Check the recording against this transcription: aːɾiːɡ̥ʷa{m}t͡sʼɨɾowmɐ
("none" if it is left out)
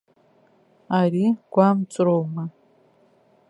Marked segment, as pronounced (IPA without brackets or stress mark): m